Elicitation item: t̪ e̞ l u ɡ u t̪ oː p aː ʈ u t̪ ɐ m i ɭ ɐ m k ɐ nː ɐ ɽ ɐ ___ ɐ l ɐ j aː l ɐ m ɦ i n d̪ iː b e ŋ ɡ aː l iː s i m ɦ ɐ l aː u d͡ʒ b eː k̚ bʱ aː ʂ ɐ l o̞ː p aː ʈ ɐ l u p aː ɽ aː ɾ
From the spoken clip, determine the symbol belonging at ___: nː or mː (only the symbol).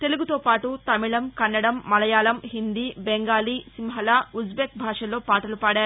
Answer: mː